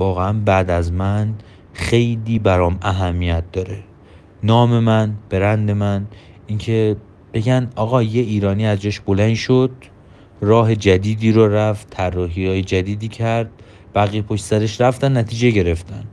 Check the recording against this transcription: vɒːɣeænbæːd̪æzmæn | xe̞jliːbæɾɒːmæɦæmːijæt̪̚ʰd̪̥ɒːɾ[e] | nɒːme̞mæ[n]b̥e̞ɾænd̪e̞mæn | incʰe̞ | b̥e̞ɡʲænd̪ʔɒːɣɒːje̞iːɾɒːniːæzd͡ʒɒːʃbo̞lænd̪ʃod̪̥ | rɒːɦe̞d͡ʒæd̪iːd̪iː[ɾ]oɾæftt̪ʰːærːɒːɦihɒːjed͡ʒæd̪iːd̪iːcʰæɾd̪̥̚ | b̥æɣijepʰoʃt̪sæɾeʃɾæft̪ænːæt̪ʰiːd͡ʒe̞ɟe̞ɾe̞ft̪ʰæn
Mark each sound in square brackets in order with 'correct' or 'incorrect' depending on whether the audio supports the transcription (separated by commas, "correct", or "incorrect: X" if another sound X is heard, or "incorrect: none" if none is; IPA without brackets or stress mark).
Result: correct, correct, correct